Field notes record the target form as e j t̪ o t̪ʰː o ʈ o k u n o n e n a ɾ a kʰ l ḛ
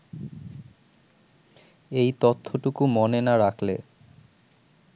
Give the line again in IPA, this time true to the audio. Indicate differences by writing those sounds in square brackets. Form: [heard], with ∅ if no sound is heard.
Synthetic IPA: e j t̪ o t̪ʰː o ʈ [u] k u [m] o n e n a ɾ a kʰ l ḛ